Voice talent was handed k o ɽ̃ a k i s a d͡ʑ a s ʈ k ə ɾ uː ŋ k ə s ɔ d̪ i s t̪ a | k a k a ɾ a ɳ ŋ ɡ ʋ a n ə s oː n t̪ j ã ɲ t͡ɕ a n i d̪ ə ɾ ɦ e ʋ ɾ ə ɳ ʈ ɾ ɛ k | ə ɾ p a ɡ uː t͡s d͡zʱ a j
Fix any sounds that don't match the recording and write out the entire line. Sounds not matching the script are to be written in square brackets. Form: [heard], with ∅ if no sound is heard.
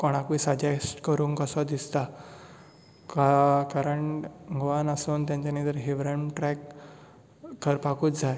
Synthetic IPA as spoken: k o ɽ̃ a k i s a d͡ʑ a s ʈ k ə ɾ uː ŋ k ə s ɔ d̪ i s t̪ a | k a k a ɾ [ə] ɳ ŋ ɡ ʋ a n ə s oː n t̪ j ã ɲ t͡ɕ a n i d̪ ə ɾ ɦ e ʋ ɾ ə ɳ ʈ ɾ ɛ k | ə ɾ p a [k] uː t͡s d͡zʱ a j